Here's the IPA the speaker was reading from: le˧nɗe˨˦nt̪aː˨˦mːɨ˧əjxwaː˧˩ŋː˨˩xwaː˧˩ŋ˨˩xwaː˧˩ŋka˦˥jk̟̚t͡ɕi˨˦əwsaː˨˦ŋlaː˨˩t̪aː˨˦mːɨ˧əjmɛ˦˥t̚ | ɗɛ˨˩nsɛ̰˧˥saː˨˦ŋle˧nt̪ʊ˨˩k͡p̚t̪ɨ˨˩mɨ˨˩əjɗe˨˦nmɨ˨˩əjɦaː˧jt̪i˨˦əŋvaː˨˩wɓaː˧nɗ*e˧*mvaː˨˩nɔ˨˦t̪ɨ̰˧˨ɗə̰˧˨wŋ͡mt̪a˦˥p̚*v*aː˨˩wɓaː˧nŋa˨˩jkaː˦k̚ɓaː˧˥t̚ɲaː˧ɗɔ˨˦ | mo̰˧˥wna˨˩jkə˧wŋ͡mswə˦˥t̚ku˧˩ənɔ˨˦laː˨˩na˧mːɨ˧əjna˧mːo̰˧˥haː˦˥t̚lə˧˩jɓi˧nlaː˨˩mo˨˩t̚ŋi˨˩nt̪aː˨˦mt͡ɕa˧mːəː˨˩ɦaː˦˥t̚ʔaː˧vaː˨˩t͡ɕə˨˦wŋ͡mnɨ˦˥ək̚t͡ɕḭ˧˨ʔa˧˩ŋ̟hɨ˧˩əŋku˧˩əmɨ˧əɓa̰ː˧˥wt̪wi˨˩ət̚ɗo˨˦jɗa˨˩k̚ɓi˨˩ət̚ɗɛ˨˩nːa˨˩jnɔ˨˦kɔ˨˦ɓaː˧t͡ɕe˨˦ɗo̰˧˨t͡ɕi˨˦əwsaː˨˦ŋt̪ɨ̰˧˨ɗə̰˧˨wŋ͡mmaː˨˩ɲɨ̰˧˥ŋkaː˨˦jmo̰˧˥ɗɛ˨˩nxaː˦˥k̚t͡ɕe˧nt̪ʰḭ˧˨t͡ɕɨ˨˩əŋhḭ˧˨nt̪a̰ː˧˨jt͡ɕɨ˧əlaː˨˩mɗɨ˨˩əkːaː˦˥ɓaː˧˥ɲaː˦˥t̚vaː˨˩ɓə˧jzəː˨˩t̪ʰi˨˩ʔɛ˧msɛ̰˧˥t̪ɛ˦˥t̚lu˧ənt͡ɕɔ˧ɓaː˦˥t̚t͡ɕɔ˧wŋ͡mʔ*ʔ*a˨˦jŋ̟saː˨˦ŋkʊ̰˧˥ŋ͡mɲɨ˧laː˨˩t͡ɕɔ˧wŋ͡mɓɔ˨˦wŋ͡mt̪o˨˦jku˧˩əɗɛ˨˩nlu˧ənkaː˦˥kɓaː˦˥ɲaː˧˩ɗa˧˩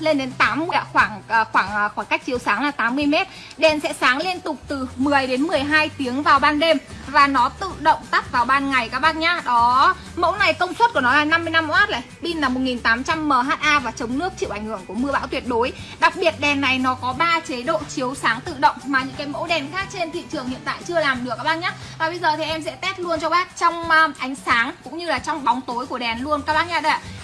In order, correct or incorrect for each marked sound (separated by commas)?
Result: correct, correct, correct